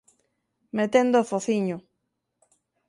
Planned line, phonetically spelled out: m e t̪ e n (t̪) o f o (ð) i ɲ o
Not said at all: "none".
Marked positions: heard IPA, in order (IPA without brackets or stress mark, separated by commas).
d̪, θ